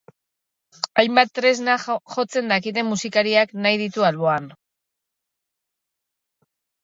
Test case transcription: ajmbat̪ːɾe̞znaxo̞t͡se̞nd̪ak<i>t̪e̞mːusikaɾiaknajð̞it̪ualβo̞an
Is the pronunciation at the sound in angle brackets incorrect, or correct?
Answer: correct